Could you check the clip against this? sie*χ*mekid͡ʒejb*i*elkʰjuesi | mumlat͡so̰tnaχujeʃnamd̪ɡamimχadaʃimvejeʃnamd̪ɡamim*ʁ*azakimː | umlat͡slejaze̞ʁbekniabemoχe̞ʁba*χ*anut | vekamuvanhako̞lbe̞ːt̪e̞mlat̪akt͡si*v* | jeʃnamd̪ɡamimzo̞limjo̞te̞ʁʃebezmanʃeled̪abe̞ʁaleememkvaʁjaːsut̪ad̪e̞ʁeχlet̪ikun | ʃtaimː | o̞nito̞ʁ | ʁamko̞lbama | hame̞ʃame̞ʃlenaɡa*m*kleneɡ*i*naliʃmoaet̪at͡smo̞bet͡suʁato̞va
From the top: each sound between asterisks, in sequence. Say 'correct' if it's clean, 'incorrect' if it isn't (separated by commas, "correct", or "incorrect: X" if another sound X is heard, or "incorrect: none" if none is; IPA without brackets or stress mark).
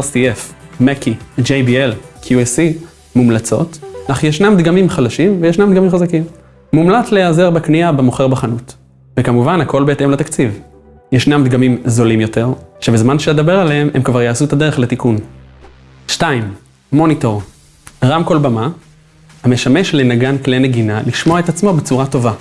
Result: incorrect: f, correct, incorrect: χ, correct, correct, incorrect: n, correct